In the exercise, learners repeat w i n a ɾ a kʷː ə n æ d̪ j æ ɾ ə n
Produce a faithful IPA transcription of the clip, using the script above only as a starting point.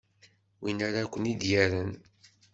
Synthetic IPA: w i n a ɾ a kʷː ə n i d̪ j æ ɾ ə n